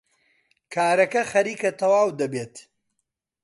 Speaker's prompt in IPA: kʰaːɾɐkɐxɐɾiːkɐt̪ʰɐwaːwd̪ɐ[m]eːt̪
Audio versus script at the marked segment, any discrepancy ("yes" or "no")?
yes